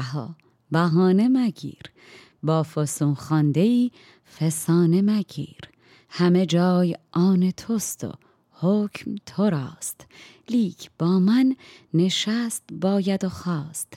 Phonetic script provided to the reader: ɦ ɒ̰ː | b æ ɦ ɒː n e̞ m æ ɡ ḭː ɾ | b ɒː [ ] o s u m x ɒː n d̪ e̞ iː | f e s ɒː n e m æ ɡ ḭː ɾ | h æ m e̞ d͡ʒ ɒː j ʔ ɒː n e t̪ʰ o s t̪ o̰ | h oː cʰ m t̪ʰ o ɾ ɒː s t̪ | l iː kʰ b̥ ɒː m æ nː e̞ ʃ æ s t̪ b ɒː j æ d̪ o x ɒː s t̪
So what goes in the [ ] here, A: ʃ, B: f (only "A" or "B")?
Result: B